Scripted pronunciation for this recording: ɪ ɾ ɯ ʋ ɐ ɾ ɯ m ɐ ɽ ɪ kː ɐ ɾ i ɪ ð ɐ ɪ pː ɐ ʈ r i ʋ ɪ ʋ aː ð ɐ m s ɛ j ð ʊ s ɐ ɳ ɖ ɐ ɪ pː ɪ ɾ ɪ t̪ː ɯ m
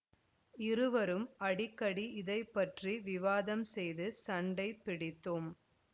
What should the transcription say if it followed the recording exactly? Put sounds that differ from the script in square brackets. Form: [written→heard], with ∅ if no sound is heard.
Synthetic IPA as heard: ɪ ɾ ɯ ʋ ɐ ɾ ɯ m ɐ ɽ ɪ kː ɐ [ɾ→ɽ] i ɪ ð ɐ ɪ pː ɐ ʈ r i ʋ ɪ ʋ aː ð ɐ m s ɛ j ð [ʊ→ɯ] s ɐ ɳ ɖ ɐ ɪ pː ɪ [ɾ→ɽ] ɪ t̪ː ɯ m